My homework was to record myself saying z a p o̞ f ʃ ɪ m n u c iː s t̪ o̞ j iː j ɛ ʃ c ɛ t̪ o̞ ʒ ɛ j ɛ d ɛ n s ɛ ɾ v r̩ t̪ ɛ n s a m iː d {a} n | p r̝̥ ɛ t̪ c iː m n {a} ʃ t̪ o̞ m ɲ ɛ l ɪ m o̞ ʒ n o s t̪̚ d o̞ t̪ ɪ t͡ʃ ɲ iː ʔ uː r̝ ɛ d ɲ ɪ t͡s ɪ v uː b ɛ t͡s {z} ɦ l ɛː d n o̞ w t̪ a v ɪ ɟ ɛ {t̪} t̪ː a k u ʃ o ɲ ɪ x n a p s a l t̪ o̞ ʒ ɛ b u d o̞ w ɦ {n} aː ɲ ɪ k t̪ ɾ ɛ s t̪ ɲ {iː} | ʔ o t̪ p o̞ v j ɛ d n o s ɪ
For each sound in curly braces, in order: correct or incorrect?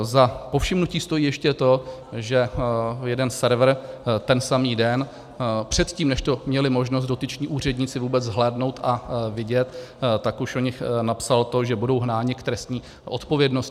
incorrect: ɛ, incorrect: ɛ, correct, correct, correct, correct

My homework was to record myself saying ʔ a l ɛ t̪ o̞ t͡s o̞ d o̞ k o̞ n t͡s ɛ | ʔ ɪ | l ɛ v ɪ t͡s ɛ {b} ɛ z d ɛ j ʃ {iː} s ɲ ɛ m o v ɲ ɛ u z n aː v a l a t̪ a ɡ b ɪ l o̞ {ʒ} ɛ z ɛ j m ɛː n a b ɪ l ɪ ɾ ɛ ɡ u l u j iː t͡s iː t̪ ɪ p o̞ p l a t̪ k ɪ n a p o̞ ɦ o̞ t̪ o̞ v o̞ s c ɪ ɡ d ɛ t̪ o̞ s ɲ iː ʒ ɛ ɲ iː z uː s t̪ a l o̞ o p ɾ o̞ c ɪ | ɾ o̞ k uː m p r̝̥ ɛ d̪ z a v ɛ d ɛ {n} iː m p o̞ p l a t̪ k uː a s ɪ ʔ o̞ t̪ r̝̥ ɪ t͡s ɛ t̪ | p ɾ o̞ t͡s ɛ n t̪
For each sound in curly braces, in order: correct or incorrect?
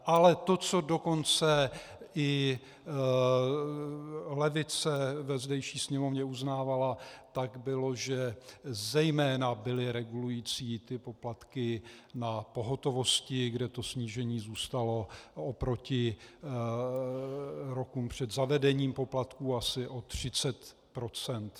incorrect: v, correct, correct, incorrect: ɲ

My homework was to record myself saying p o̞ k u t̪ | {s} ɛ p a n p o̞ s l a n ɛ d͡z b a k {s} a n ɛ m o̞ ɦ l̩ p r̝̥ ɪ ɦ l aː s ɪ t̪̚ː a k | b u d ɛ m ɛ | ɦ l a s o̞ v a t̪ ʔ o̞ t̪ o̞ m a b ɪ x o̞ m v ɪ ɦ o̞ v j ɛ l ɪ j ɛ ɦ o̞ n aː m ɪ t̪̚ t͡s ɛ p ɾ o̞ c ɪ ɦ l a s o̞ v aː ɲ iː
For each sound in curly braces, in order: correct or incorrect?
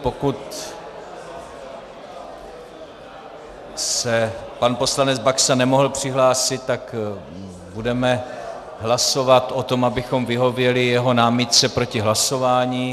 correct, correct

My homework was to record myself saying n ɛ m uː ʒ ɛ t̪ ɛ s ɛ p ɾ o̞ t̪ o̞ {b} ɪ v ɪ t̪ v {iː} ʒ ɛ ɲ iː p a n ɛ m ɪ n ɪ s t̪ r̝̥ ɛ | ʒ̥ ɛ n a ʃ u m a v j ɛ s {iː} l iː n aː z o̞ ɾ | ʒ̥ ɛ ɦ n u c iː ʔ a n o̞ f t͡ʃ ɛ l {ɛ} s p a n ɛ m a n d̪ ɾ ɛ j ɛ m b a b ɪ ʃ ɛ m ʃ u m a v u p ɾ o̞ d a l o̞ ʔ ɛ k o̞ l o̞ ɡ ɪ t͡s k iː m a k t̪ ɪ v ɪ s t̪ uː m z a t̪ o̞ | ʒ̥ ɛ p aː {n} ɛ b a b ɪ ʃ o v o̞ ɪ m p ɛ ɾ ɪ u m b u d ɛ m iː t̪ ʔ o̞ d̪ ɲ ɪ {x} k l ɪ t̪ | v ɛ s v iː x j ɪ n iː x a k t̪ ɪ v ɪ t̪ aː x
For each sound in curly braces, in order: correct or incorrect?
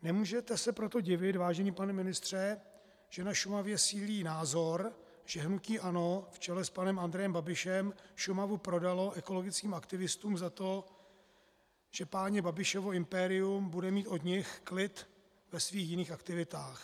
incorrect: ɟ, incorrect: aː, correct, correct, incorrect: ɲ, correct

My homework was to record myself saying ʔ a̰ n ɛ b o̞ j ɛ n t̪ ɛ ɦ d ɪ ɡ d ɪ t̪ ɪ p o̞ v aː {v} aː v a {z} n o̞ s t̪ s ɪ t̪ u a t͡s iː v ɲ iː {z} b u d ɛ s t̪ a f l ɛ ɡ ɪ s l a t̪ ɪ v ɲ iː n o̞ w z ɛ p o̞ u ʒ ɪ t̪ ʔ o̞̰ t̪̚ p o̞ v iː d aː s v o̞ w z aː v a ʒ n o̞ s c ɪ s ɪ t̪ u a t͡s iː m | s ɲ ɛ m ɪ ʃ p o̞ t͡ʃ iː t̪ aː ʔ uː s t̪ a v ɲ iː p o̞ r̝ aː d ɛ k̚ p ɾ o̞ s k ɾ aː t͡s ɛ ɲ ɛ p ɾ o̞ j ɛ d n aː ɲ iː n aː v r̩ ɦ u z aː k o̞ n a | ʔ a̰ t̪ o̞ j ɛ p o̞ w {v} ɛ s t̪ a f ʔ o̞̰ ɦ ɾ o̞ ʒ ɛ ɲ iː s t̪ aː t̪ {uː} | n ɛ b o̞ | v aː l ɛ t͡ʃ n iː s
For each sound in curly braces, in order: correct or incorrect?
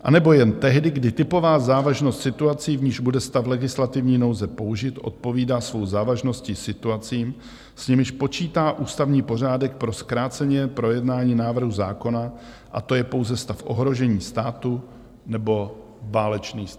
incorrect: z, incorrect: ʒ, incorrect: ʒ, incorrect: z, incorrect: u

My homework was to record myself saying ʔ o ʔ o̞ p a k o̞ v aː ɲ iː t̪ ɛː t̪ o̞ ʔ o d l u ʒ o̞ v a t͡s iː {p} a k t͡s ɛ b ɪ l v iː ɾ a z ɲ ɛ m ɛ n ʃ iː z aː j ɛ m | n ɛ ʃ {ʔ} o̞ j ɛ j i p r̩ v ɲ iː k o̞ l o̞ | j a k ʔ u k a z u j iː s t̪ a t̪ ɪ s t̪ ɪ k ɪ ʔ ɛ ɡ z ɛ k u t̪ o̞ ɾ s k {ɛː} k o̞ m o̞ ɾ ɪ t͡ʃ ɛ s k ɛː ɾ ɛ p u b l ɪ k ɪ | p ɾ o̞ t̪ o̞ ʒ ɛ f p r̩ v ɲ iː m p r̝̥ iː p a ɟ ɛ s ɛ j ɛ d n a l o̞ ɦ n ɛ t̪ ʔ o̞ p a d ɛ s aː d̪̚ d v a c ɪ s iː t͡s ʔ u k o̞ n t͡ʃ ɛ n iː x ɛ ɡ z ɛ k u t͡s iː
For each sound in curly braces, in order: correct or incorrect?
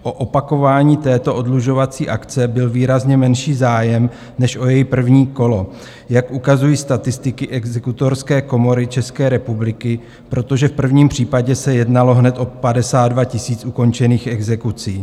incorrect: ʔ, correct, correct

